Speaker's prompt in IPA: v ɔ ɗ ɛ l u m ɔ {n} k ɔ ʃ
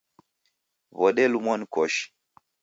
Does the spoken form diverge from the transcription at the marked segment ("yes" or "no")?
no